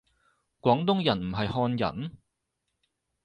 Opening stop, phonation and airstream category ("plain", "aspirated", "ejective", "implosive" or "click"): plain